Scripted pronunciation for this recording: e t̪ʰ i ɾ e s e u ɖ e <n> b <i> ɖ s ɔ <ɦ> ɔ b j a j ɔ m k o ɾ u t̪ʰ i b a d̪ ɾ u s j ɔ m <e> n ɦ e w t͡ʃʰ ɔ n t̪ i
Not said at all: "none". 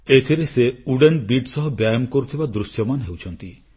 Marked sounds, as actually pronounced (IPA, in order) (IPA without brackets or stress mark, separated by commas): n, i, ɦ, a